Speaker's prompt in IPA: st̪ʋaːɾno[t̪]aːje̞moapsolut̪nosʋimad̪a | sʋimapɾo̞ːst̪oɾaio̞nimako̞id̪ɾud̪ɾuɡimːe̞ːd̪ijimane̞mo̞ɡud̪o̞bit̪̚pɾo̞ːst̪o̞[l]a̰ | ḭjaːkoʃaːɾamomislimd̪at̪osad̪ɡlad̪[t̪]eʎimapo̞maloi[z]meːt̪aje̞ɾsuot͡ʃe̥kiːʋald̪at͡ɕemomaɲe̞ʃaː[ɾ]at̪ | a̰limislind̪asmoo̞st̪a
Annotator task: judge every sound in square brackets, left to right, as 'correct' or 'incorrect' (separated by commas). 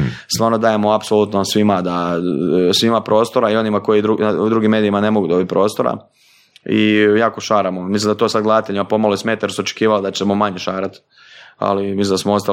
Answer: incorrect, incorrect, correct, incorrect, correct